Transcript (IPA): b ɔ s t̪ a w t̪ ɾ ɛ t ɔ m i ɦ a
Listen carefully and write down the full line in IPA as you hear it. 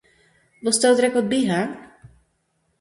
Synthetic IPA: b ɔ s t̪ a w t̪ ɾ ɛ k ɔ b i ɦ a